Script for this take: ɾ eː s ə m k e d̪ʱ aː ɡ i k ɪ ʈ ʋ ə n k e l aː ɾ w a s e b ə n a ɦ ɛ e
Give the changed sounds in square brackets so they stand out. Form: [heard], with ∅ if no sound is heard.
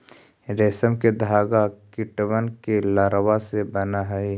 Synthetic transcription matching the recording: ɾ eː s ə m k e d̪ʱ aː ɡ [a] k ɪ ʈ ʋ ə n k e l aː ɾ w a s e b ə n a ɦ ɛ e